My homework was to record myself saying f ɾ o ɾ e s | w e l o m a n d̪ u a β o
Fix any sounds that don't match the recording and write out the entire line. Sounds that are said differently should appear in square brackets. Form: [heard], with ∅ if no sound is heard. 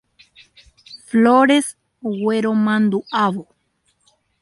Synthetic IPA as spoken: f [l] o ɾ e s | w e [ɾ] o m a n d̪ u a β o

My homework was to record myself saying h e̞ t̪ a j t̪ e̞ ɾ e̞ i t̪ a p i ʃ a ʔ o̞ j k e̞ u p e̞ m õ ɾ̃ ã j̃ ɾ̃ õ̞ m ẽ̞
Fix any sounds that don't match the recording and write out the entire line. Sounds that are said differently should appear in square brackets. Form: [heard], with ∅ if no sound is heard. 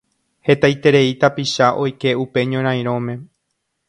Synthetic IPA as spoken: h e̞ t̪ a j t̪ e̞ ɾ e̞ i t̪ a p i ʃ a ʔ o̞ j k e̞ u p e̞ [ɲ] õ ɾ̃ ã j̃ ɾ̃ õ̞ m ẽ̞

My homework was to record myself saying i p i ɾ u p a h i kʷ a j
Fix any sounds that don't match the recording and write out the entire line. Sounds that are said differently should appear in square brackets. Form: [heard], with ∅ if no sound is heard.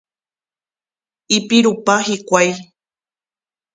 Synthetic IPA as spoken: i p i ɾ u p a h i kʷ a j

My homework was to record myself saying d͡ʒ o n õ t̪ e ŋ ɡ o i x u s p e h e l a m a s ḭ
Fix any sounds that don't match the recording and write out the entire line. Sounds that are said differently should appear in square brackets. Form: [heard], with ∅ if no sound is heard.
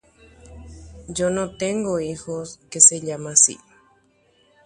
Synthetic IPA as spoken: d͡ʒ o n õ t̪ e ŋ ɡ o i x [o] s [k] e [s] e [ʎ] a m a s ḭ

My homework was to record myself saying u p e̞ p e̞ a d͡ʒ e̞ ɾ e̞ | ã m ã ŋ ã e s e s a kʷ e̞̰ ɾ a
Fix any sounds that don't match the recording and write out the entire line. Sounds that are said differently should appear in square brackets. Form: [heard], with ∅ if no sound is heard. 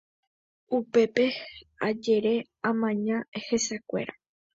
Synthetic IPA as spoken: u p e̞ p e̞ a d͡ʒ e̞ ɾ e̞ | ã m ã [ɲ] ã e [h] e s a kʷ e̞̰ ɾ a

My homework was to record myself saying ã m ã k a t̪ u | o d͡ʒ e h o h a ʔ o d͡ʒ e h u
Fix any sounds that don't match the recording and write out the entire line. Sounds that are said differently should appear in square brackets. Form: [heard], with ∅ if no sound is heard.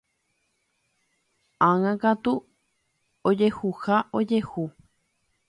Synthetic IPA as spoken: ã [ŋ] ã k a t̪ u | o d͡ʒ e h [u] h a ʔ o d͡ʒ e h u

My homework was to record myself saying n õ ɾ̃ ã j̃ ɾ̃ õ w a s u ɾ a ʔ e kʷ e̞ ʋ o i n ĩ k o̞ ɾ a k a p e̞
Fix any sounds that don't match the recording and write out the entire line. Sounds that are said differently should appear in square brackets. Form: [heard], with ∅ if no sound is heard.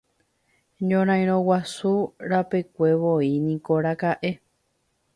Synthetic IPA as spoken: [ɲ] õ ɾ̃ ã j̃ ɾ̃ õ w a s u ɾ a [p] e kʷ e̞ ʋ o i n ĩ k o̞ ɾ a k a [ʔ] e̞

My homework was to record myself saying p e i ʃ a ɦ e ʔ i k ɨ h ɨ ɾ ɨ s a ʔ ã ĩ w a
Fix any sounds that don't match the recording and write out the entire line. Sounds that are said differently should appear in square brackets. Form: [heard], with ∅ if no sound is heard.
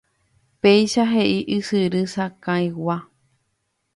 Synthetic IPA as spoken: p e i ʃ a ɦ e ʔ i [ʔ] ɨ [s] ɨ ɾ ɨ s a [k] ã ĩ w a

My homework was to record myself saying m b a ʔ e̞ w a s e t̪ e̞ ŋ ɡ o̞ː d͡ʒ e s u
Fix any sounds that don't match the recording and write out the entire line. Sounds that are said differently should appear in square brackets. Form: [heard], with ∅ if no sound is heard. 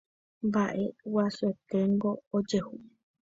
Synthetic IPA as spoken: m b a ʔ e̞ w a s e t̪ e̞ ŋ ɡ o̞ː d͡ʒ e [h] u

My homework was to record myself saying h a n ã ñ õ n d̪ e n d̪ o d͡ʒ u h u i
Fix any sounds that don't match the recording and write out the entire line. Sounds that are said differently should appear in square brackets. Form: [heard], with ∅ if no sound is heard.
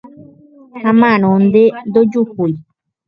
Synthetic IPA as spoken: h a [m] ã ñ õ n d̪ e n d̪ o d͡ʒ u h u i

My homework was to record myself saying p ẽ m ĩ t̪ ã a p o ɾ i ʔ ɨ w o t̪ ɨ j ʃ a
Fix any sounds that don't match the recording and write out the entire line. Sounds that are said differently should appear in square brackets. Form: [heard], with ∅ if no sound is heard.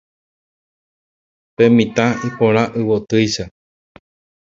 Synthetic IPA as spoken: p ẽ m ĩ t̪ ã [i] p o ɾ [a] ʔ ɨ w o t̪ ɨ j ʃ a

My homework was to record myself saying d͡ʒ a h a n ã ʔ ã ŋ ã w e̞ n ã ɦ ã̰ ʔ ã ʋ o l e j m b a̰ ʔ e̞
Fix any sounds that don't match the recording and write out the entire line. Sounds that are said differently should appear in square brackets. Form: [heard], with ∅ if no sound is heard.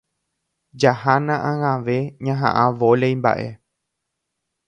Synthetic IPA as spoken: d͡ʒ a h a n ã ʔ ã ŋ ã [ʋ] e̞ [ɲ] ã ɦ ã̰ ʔ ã ʋ o l e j m b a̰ ʔ e̞

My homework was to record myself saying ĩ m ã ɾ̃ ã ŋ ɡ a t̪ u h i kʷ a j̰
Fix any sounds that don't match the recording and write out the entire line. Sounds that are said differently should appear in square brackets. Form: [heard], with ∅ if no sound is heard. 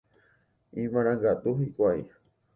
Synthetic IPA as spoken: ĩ m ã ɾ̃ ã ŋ ɡ a t̪ u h i kʷ a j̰

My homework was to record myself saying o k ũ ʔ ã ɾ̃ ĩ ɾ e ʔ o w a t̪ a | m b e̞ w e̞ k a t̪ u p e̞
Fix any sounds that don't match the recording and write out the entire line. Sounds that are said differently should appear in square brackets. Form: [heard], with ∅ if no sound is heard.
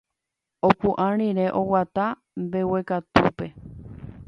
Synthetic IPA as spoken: o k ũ ʔ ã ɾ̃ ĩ ɾ e ʔ o w a t̪ a | m b e̞ w e̞ k a t̪ u p e̞

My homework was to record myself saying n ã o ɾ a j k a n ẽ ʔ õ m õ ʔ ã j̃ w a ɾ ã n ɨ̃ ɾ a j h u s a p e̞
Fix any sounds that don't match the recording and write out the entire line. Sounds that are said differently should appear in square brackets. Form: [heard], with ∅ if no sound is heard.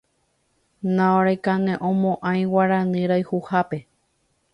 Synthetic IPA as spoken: n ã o ɾ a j k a n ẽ ʔ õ m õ ʔ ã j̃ w a ɾ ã n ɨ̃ ɾ a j h u [h] a p e̞

